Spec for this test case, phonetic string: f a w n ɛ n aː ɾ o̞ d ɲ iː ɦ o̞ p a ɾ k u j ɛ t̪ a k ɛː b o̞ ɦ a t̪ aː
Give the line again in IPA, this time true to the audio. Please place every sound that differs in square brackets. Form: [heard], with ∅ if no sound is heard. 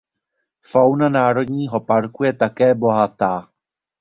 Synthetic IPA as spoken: f a w n [a] n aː ɾ o̞ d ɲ iː ɦ o̞ p a ɾ k u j ɛ t̪ a k ɛː b o̞ ɦ a t̪ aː